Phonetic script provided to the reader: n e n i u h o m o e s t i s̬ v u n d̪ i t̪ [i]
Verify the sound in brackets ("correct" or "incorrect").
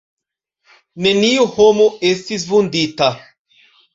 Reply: incorrect